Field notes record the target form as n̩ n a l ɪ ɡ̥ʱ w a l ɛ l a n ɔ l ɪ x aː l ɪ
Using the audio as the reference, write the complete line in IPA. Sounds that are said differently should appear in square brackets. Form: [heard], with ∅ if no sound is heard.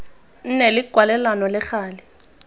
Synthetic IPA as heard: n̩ n [e] l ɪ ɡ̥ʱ w a l ɛ l a n ɔ l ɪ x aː l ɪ